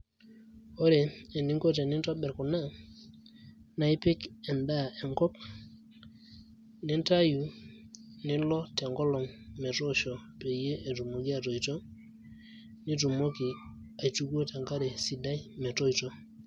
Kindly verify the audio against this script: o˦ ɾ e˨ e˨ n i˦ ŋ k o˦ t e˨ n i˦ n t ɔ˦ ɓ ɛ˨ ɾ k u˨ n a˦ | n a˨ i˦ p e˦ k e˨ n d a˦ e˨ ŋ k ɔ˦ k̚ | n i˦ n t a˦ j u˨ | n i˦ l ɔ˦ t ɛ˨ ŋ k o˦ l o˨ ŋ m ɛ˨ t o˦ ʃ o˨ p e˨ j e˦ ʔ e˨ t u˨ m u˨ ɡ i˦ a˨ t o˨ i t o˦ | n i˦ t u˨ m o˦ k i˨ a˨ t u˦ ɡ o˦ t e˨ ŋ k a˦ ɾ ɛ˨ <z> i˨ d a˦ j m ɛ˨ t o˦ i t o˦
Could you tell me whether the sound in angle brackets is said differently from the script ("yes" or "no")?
yes